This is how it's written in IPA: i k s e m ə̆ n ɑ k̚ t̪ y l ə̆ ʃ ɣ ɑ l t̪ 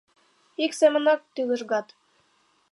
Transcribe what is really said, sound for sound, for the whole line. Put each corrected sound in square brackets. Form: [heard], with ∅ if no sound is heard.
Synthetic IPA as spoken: i k s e m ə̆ n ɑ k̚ t̪ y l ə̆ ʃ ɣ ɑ [∅] t̪